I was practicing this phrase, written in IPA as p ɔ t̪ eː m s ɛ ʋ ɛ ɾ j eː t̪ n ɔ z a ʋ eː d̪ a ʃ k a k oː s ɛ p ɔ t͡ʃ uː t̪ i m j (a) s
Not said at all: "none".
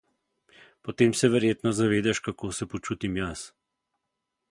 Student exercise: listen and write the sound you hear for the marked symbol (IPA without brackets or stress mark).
a